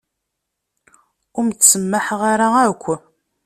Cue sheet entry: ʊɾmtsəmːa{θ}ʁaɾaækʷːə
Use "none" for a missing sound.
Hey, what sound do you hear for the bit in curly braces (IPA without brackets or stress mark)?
ħ